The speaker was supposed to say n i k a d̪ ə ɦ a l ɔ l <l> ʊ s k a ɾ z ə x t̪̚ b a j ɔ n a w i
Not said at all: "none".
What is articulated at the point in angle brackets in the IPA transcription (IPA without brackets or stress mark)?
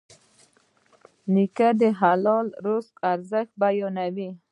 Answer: ɾ